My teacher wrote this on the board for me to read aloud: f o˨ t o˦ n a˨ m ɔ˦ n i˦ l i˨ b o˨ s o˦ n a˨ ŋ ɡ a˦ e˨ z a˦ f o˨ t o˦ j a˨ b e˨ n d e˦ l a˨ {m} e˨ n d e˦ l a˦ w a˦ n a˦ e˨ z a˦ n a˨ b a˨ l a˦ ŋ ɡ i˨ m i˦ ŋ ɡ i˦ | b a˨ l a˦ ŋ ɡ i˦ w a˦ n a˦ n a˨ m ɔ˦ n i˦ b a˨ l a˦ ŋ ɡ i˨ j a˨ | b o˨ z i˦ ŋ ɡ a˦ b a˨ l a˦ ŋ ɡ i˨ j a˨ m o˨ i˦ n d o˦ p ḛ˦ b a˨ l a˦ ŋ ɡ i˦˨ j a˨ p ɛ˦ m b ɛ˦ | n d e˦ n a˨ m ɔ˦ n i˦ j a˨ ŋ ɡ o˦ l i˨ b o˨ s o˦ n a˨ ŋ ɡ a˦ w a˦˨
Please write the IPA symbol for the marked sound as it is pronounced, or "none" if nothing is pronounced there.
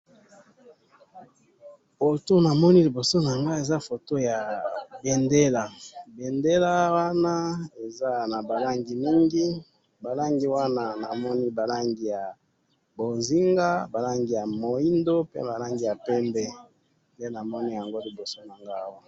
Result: b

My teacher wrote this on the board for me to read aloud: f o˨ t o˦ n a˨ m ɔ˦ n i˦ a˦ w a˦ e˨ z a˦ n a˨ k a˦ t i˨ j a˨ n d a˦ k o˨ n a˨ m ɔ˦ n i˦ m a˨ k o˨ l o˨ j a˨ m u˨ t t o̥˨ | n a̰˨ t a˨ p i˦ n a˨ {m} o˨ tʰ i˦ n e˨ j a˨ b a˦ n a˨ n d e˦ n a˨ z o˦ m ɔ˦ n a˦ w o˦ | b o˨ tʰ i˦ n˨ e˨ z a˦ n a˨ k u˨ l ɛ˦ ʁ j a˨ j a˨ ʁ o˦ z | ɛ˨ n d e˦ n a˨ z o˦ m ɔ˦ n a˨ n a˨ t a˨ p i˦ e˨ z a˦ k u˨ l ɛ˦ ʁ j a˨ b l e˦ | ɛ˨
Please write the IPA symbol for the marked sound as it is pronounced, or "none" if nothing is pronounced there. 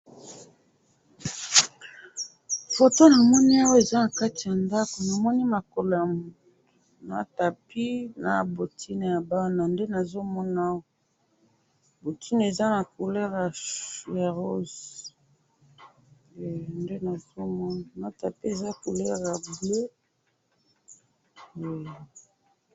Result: b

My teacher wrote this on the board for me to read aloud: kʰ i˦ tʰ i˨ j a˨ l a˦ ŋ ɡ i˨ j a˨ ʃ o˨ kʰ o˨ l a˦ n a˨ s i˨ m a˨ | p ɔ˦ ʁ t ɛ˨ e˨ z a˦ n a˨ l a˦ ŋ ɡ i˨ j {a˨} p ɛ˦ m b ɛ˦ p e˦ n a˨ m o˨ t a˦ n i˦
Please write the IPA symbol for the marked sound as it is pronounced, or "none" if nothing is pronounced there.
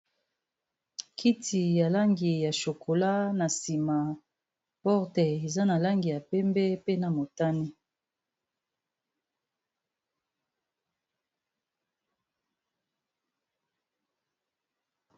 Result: a˨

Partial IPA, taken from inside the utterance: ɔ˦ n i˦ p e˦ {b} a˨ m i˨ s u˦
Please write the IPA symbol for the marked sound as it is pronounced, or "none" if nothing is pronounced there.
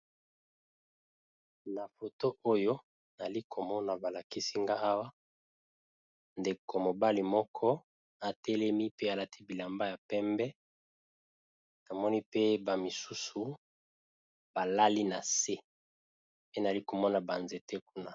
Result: b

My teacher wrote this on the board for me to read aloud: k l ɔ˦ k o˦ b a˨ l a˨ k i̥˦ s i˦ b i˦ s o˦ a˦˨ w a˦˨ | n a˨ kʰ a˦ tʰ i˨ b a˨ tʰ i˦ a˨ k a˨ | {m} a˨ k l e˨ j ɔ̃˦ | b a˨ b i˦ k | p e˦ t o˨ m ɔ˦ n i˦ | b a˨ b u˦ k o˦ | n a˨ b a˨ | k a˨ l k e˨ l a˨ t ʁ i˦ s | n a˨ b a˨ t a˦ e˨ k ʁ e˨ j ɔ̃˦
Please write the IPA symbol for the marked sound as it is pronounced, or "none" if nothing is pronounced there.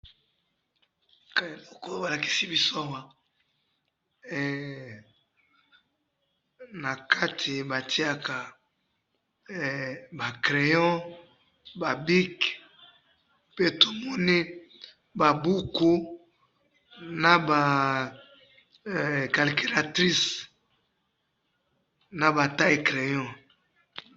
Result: b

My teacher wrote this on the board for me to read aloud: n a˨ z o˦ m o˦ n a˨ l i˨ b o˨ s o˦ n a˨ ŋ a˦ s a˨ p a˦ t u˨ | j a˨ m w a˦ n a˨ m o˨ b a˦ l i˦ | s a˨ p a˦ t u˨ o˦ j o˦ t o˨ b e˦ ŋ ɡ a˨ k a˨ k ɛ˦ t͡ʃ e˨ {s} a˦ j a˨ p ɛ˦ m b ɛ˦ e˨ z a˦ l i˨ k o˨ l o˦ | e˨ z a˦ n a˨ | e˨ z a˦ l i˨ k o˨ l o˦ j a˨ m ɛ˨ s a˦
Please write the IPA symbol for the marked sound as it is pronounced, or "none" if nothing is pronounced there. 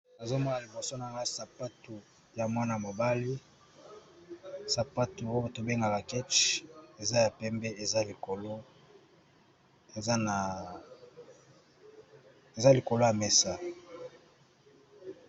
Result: z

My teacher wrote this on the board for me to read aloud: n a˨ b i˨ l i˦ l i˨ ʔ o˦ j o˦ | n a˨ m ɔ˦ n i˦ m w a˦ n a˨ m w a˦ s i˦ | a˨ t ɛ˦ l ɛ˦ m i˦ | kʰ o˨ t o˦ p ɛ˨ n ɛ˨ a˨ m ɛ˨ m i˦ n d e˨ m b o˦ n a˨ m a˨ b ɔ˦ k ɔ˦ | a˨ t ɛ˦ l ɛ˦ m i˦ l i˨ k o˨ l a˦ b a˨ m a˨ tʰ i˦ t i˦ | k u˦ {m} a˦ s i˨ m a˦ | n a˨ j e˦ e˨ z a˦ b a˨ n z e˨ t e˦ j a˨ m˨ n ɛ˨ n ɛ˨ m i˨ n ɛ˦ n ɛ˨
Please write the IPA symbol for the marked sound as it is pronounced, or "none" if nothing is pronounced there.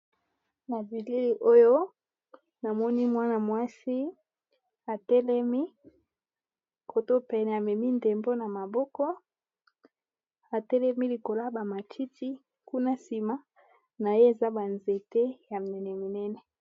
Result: n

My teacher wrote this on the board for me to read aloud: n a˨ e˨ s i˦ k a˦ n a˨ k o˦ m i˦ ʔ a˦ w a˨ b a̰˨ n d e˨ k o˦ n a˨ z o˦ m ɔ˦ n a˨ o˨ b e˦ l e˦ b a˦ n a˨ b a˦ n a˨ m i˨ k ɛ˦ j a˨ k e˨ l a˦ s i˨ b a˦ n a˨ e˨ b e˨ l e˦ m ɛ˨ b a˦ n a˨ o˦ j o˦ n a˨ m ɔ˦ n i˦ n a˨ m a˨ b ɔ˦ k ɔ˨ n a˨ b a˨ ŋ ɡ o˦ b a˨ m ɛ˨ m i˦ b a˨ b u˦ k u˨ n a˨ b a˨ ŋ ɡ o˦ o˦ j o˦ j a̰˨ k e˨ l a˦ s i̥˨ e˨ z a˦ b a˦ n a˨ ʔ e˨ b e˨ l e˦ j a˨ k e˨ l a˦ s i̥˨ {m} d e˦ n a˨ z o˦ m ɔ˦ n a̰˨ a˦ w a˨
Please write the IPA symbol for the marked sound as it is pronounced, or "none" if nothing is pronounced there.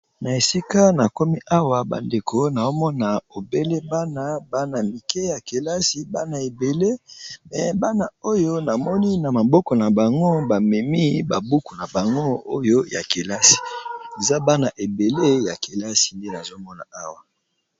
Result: n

